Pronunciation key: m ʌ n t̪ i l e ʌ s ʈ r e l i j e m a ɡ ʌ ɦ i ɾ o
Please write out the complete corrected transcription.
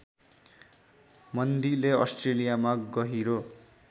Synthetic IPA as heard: m ʌ n d̪ i l e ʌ s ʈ r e l i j a m a ɡ ʌ ɦ i ɾ o